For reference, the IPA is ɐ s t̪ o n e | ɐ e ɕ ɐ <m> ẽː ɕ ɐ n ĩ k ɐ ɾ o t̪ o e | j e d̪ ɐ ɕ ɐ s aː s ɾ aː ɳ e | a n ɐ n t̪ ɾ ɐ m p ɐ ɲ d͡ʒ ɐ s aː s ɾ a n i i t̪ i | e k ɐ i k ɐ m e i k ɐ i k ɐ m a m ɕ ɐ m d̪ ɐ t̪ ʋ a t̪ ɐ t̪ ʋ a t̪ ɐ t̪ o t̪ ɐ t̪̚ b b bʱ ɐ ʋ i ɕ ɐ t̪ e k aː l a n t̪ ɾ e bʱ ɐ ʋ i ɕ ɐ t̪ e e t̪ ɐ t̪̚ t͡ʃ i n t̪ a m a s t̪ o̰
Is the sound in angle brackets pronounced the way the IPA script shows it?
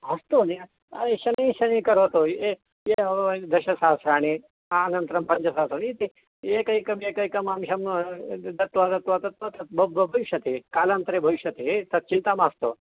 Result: no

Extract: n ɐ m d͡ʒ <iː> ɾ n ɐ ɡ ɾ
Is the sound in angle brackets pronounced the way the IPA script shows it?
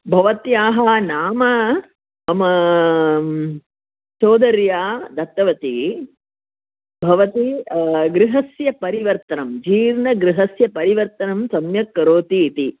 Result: yes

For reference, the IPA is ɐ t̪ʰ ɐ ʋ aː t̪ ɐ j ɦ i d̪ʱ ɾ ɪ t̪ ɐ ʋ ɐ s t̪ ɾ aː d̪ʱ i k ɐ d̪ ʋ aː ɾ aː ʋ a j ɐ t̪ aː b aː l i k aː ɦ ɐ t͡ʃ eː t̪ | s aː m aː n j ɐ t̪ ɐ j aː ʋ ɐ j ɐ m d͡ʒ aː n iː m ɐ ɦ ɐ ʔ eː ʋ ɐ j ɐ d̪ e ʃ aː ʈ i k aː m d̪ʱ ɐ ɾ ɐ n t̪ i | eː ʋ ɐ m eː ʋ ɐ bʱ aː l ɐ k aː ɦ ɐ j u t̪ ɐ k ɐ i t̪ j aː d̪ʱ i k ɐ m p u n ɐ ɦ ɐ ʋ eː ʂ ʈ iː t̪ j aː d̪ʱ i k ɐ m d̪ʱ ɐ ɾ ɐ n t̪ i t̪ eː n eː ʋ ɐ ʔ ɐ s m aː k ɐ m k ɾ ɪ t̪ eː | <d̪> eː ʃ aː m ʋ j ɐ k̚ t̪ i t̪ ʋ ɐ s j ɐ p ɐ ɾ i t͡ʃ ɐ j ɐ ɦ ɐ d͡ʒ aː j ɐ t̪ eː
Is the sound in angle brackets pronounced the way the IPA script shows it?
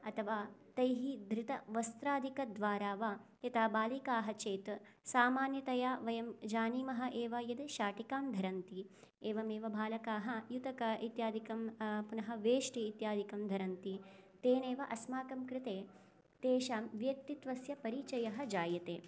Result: no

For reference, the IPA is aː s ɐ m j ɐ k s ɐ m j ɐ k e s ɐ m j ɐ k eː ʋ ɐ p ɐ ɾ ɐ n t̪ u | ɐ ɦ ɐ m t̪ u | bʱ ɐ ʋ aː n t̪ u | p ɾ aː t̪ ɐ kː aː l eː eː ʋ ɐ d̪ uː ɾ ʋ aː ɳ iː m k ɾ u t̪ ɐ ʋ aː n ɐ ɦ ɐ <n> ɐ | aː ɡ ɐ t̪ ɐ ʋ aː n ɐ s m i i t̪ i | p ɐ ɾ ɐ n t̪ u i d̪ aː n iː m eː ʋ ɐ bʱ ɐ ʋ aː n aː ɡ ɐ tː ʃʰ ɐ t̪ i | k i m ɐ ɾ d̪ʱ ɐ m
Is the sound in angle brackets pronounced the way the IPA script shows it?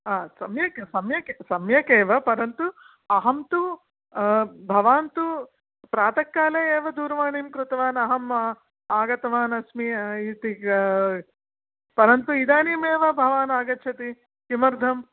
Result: no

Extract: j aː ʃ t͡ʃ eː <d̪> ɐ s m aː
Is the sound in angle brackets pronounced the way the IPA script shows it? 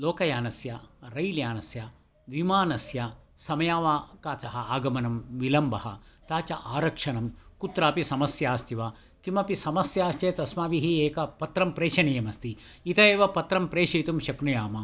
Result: no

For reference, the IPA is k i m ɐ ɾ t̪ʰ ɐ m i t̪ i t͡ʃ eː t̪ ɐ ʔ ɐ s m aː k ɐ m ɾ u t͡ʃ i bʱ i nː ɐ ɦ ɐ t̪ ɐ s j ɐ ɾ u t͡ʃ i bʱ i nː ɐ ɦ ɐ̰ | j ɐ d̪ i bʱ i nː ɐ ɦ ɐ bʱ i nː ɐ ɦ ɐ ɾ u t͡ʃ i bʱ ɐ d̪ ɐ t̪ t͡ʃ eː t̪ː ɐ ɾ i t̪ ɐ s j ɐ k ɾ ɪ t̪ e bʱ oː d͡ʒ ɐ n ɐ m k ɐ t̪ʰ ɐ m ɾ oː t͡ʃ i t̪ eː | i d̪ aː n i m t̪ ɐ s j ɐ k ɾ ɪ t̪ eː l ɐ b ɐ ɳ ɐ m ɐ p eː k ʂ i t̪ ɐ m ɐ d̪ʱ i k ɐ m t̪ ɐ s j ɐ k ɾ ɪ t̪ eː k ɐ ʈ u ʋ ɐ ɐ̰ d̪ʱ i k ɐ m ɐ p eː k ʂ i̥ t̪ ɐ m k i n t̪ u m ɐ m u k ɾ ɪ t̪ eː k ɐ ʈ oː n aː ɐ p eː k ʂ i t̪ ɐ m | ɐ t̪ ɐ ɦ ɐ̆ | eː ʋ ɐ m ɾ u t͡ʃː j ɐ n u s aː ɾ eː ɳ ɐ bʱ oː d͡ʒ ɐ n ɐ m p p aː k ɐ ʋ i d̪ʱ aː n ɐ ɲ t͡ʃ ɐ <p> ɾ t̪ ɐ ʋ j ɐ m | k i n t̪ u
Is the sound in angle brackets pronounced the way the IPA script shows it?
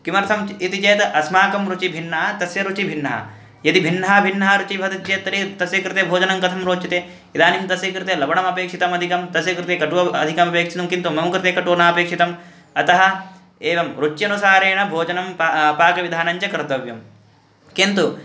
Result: no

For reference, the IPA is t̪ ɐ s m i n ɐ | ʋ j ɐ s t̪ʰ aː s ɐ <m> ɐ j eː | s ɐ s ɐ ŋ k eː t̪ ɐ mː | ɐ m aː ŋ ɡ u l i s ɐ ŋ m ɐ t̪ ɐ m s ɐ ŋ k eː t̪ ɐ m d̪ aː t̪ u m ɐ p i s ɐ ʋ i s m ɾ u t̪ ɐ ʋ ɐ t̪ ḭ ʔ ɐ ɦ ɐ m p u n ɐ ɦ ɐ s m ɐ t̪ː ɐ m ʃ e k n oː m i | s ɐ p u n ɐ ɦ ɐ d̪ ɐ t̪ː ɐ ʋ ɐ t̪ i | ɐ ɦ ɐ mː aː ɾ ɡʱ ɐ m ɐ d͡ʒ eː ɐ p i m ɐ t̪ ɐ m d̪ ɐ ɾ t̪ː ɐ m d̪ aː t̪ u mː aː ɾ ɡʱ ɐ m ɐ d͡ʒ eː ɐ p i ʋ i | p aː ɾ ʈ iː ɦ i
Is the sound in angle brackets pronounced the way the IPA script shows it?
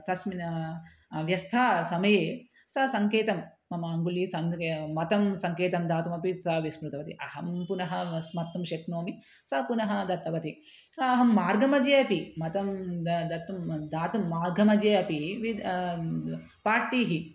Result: yes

